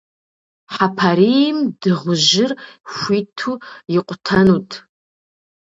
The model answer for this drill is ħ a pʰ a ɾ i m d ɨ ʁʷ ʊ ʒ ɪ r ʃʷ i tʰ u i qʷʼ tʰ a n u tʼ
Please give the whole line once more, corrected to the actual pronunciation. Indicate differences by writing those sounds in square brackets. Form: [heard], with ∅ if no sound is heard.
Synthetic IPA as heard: ħ a pʰ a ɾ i m d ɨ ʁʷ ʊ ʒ ɪ r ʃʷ i tʰ u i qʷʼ tʰ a n u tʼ